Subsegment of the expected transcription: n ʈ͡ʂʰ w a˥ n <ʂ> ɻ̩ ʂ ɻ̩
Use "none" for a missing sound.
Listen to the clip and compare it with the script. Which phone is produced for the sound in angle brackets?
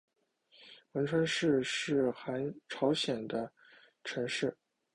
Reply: ʂ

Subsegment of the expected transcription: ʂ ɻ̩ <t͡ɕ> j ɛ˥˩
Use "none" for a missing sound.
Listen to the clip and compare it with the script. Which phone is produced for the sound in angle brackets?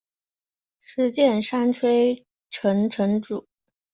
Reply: t͡ɕ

